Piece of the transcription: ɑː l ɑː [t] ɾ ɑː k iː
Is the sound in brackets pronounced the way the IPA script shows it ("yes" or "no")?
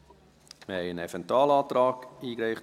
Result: yes